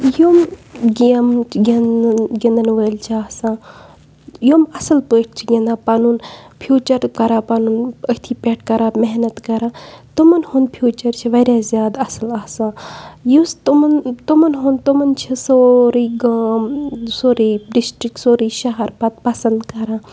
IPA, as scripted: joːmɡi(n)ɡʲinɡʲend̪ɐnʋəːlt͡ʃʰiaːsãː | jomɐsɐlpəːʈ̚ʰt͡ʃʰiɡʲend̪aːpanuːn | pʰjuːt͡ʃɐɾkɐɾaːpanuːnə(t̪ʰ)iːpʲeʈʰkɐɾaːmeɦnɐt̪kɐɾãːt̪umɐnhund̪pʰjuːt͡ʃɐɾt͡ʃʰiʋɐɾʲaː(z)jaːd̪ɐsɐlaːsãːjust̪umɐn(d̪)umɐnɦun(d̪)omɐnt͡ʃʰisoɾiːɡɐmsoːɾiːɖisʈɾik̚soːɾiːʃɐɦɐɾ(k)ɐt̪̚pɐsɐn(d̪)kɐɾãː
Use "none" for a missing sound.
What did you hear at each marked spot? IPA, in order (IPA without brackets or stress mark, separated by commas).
m, t̪ʰ, z, t̪, t̪, p, d̪